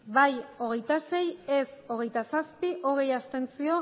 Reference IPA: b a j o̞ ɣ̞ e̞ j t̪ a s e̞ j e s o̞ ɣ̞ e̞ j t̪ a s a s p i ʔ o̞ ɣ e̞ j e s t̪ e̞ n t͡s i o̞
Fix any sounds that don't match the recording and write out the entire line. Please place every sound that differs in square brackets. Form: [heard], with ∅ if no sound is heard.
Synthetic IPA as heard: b a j o̞ ɣ̞ e̞ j t̪ a s e̞ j e s o̞ ɣ̞ e̞ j t̪ a s a s p i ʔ o̞ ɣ e̞ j [a] s t̪ e̞ n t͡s i o̞